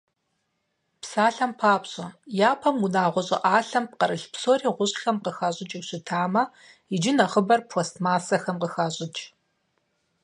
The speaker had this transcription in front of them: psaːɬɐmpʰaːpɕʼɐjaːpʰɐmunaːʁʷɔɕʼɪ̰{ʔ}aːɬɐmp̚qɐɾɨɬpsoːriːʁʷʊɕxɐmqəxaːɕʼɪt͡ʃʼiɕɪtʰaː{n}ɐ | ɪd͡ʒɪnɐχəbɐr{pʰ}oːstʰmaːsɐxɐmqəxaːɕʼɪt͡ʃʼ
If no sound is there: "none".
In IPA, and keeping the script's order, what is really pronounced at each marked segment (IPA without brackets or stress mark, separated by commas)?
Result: ʔ, m, pʰ